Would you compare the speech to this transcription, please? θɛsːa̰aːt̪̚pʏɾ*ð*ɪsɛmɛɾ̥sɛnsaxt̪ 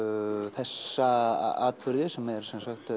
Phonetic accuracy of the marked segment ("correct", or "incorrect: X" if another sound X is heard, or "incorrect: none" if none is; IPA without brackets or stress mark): correct